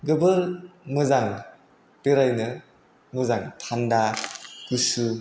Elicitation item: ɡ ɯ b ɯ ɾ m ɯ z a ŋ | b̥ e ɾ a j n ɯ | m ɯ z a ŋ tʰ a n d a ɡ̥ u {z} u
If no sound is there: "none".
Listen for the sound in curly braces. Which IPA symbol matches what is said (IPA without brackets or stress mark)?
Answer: s